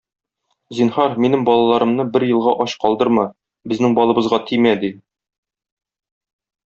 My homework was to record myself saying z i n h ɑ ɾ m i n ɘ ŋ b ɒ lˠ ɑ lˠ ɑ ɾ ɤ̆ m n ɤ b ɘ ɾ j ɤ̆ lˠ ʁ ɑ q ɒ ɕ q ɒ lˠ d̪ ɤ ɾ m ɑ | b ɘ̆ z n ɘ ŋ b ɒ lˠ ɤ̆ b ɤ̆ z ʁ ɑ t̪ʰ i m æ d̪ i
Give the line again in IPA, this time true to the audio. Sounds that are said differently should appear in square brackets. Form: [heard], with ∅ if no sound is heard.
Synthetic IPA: z i n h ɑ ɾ m i n ɘ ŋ b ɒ lˠ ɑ lˠ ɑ ɾ ɤ̆ m n ɤ b ɘ ɾ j ɤ̆ lˠ ʁ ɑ [ʔ] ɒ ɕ q ɒ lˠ d̪ ɤ ɾ m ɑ | b ɘ̆ z n ɘ ŋ b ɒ lˠ ɤ̆ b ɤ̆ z ʁ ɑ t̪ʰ i m æ d̪ i